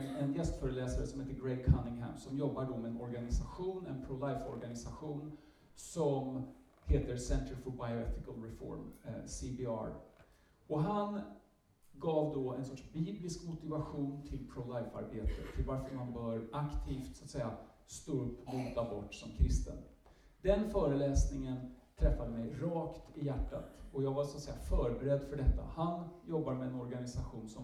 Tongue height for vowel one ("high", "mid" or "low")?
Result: mid